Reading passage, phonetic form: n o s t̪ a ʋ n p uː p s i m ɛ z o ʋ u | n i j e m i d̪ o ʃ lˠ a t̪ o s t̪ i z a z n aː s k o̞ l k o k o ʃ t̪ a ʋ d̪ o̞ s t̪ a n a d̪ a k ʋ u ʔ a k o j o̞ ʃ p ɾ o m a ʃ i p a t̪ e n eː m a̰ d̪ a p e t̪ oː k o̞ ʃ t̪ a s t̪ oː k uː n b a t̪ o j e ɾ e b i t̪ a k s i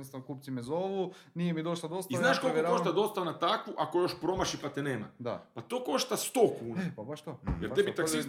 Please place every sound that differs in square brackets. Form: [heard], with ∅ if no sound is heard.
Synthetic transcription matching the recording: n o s t̪ a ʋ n [k] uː p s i m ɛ z o ʋ u | n i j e m i d̪ o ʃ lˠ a [d̪] o s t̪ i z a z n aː [ʃ] k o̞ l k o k o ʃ t̪ a [∅] d̪ o̞ s t̪ a n a [t̪] a k ʋ u ʔ a k o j o̞ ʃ p ɾ o m a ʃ i p a t̪ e n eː m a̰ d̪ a p [a] t̪ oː k o̞ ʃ t̪ a s t̪ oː k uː n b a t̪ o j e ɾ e b i t̪ a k s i